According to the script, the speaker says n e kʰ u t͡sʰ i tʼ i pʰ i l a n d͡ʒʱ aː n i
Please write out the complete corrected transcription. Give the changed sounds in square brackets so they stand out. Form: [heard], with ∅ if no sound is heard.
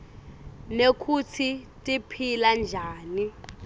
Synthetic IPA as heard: n e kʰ u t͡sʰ i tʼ i pʰ i l a n d͡ʒʱ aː n i